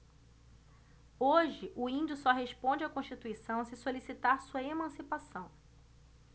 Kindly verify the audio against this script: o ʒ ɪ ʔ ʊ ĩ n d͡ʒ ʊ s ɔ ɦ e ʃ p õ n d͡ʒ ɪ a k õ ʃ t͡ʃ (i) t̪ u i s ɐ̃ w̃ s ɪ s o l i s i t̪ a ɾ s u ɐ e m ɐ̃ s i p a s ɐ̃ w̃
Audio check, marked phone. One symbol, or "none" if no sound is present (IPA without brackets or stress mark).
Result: i